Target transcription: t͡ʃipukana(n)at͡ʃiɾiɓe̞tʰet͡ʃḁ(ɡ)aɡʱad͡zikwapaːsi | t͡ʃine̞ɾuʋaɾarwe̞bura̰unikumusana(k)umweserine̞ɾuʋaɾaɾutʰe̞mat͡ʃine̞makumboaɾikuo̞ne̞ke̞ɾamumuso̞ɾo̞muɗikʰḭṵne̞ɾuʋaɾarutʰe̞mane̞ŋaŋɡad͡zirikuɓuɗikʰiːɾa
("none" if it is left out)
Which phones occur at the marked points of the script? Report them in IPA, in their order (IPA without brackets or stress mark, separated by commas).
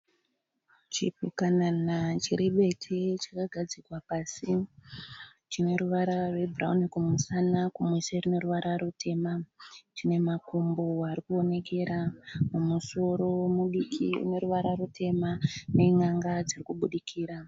n, k, k